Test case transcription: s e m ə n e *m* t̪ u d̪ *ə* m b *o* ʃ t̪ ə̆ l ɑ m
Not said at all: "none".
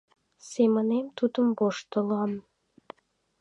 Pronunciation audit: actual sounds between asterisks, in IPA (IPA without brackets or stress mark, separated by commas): m, ə, o